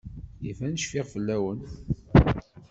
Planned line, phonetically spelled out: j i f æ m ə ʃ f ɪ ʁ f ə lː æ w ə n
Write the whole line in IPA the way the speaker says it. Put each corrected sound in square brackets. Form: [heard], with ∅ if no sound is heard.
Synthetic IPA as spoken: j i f æ [n] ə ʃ f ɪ ʁ f ə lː æ w ə n